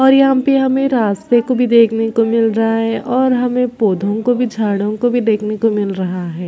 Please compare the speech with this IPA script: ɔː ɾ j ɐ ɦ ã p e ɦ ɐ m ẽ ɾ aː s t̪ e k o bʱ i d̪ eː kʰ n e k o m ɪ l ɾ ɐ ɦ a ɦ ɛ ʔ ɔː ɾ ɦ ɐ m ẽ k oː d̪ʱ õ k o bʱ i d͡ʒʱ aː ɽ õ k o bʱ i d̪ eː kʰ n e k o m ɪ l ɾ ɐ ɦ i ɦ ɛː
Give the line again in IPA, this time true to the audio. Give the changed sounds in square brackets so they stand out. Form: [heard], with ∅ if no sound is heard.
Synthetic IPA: ɔː ɾ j ɐ ɦ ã p e ɦ ɐ m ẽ ɾ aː s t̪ e k o bʱ i d̪ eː kʰ n e k o m ɪ l ɾ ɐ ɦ a ɦ ɛ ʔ ɔː ɾ ɦ ɐ m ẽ [p] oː d̪ʱ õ k o bʱ i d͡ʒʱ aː ɽ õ k o bʱ i d̪ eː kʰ n e k o m ɪ l ɾ ɐ ɦ [a] ɦ ɛː